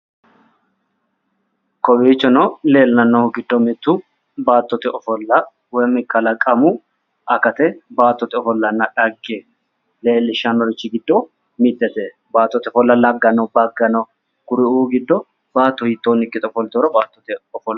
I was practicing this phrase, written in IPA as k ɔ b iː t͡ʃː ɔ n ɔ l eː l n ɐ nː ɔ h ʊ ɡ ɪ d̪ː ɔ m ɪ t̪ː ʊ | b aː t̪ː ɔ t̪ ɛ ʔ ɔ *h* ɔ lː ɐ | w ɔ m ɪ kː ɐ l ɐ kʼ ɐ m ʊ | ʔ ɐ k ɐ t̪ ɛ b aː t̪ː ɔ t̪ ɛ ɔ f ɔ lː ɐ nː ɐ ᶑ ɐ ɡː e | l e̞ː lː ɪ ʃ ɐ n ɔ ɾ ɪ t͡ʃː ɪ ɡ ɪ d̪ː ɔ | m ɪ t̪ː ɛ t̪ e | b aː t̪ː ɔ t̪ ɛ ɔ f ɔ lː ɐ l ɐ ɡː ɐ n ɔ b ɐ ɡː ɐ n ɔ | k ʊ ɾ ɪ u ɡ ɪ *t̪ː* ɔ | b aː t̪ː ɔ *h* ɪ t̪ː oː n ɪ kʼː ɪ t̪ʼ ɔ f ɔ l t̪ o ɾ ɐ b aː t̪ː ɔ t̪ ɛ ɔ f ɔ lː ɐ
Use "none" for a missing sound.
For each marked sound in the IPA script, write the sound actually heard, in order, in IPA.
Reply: f, d̪ː, h

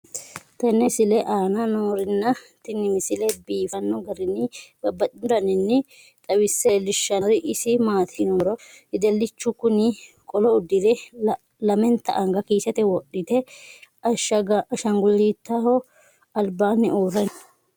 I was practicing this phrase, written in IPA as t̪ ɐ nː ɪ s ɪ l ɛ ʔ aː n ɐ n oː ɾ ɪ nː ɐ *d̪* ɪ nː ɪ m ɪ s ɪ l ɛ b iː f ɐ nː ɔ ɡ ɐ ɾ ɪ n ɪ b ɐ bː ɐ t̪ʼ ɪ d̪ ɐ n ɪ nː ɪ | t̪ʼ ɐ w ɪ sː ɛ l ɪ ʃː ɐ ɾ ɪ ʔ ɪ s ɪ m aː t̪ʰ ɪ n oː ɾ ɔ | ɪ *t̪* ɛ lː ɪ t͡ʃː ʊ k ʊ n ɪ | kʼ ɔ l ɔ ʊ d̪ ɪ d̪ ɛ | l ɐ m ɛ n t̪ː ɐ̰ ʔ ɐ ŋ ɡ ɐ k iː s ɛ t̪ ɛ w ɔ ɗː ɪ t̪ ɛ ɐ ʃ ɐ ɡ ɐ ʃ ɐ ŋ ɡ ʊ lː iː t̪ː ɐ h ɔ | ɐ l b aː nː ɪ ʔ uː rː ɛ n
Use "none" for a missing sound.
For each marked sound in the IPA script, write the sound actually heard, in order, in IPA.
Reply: t̪, d̪

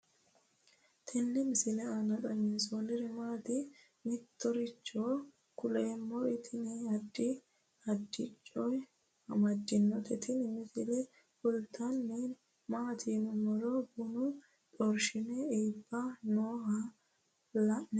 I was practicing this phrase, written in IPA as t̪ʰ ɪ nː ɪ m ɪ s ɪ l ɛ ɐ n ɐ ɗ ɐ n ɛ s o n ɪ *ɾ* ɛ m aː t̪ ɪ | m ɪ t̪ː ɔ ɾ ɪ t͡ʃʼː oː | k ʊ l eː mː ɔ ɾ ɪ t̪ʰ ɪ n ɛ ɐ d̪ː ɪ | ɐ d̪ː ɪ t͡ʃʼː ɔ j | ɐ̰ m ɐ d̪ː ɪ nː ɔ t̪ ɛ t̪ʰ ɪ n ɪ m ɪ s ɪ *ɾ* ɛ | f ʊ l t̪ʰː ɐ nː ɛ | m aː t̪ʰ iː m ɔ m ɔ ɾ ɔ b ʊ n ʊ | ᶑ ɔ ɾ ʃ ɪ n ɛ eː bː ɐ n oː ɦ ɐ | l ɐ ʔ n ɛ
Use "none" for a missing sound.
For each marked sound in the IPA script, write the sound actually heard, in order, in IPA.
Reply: ɾ, l

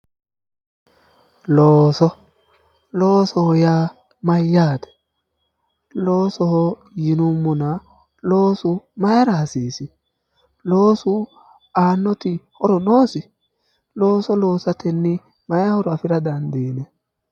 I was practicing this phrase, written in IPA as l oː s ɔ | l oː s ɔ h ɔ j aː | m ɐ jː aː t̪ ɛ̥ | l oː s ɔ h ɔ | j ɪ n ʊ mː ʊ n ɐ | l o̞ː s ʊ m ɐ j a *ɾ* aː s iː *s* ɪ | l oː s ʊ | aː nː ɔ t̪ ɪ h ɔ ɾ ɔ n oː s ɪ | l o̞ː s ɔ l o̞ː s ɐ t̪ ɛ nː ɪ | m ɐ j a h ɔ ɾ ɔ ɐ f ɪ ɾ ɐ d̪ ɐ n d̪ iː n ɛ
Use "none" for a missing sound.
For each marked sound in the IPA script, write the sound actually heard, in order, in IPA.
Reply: ɾ, s

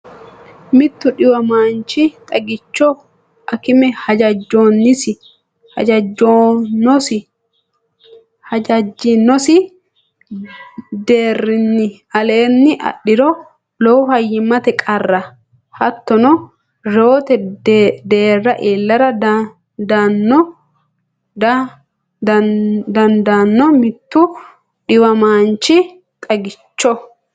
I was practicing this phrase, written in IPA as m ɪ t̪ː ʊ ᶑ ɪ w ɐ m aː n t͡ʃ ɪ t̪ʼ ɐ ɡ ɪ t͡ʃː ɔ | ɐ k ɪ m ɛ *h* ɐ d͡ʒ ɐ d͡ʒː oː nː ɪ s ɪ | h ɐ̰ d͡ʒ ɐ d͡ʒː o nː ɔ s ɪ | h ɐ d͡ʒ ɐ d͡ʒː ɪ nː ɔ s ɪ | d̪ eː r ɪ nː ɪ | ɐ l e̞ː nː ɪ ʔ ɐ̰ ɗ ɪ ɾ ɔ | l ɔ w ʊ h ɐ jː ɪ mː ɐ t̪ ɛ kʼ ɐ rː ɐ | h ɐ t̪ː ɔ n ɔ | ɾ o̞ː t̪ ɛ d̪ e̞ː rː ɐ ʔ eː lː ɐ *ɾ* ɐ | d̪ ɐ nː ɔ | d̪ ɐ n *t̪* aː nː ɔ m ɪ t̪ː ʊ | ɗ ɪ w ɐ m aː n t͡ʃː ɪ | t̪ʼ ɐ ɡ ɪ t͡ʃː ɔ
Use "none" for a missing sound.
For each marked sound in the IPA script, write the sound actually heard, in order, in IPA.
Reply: h, ɾ, d̪

